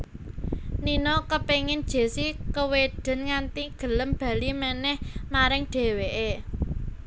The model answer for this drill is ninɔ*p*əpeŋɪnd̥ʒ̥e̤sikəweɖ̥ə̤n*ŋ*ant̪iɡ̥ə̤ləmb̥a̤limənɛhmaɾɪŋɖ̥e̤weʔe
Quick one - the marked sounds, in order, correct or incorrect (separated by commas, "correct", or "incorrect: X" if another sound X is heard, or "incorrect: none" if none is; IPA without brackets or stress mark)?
incorrect: k, correct